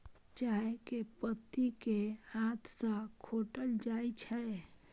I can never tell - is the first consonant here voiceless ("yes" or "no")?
yes